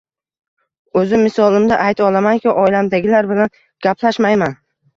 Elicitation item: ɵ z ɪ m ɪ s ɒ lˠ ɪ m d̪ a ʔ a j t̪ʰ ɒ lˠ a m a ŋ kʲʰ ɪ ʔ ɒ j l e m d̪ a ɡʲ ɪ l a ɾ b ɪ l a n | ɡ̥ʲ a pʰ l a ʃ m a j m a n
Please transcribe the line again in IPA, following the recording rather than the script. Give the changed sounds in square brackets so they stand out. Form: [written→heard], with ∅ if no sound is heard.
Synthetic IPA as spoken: ɵ z ɪ m ɪ s ɒ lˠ ɪ m d̪ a ʔ a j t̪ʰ ɒ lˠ a m a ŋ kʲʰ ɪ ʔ ɒ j l [e→a] m d̪ a ɡʲ ɪ l a ɾ b ɪ l a n | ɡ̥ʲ a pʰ l a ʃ m a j m a n